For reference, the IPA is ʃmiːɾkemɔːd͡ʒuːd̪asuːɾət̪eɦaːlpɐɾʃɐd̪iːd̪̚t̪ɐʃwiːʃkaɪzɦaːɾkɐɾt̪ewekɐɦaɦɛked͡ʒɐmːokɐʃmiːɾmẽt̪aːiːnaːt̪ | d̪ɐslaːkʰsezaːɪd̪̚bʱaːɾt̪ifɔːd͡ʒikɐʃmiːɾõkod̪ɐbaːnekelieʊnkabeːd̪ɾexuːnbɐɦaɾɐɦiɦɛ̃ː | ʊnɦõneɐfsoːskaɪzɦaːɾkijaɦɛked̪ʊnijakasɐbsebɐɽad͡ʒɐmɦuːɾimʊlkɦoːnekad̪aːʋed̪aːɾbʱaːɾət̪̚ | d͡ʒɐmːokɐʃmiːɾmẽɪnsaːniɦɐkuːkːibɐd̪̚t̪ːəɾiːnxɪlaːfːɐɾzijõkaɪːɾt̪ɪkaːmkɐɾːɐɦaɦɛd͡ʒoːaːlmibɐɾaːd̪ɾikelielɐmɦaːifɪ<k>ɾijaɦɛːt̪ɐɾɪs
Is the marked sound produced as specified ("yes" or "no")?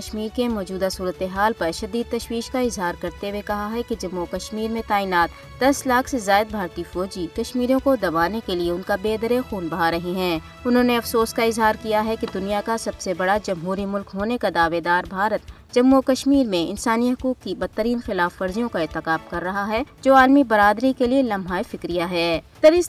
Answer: yes